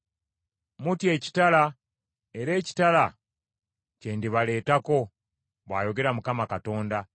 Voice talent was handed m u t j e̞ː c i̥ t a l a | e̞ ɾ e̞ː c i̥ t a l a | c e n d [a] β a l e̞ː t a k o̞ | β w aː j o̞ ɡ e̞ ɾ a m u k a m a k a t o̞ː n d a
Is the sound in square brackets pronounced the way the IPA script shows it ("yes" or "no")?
no